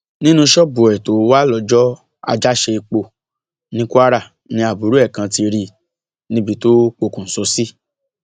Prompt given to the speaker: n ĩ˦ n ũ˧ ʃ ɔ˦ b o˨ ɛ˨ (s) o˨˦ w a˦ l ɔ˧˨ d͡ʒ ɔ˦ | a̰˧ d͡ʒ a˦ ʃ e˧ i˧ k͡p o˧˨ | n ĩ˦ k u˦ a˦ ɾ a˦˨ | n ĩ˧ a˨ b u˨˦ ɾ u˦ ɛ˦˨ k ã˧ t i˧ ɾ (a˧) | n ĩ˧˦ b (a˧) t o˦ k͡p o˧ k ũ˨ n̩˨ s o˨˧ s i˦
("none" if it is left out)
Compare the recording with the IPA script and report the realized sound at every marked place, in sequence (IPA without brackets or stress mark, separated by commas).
t, i˧, i˧